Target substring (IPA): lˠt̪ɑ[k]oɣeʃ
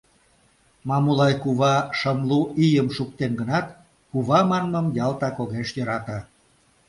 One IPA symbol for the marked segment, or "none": k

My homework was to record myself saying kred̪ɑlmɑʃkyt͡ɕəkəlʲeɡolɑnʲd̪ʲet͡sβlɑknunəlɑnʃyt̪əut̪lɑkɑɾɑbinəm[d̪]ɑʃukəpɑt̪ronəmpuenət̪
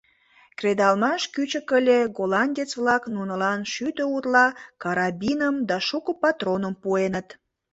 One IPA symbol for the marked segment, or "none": d̪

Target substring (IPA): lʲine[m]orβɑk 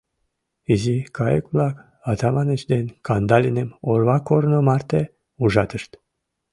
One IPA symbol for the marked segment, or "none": m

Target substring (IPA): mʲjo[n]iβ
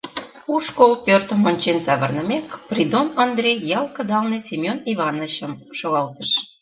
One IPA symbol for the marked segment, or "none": n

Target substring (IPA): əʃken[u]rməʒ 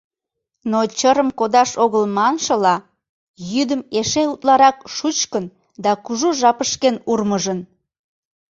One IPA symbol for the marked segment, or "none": u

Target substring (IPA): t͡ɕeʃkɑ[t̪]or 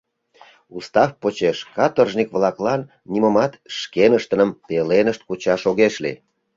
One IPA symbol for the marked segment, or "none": t̪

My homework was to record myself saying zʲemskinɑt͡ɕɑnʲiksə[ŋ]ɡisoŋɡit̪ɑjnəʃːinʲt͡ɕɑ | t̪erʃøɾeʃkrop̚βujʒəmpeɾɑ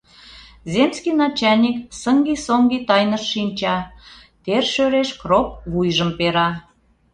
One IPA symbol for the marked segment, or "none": ŋ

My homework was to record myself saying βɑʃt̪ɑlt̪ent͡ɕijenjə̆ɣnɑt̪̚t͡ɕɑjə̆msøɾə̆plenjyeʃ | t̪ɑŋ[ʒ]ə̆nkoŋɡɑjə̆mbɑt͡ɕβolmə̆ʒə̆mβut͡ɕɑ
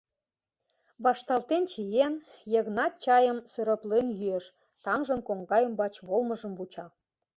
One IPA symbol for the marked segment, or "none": ʒ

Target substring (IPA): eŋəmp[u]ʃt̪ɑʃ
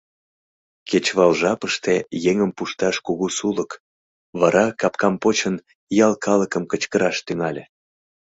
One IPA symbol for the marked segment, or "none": u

